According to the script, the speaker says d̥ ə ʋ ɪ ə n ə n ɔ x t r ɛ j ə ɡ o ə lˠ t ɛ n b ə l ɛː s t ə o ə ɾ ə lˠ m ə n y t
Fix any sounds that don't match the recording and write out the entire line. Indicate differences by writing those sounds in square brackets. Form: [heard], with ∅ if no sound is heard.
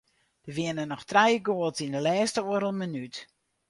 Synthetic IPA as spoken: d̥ ə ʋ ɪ ə n ə n ɔ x t r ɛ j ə ɡ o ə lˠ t [i] n [d] ə l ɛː s t ə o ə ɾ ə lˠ m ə n y t